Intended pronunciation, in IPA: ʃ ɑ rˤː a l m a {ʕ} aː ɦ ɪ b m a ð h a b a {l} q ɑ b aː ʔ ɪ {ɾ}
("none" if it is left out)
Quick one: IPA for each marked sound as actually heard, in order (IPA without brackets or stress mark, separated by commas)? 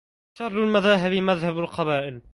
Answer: ð, l, l